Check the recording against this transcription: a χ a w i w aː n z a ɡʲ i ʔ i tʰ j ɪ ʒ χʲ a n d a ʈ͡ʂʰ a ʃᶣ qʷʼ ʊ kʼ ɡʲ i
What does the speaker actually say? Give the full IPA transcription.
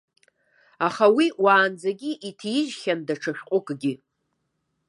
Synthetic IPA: a χ a w i w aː n d͡z a ɡʲ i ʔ i tʰ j ɪ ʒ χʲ a n d a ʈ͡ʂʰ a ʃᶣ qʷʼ ʊ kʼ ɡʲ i